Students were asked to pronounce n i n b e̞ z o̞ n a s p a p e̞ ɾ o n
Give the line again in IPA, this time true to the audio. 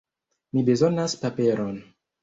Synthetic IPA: m i b e̞ z o̞ n a s p a p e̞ ɾ o n